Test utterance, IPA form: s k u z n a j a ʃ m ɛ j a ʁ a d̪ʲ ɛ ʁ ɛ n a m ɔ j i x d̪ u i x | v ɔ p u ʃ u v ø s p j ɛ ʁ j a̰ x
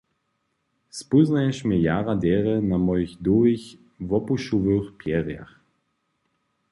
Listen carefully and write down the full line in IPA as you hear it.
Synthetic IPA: s p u z n a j ɛ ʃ m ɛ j a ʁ a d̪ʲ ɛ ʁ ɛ n a m ɔ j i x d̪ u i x | v ɔ p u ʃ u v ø x p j ɛ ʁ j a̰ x